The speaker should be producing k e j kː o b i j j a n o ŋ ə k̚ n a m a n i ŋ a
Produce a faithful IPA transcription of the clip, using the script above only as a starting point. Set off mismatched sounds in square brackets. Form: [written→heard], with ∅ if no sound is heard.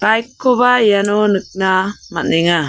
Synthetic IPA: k [e→a] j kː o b [i→a] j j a n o [ŋ→n] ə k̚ n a m a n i ŋ a